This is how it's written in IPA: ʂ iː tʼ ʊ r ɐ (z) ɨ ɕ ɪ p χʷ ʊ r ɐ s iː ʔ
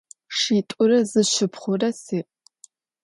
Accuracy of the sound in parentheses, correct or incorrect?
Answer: correct